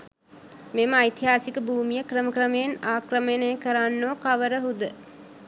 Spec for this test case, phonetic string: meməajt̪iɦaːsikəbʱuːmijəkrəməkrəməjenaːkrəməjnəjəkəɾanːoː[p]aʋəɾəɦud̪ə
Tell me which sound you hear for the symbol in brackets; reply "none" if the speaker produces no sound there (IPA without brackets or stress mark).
k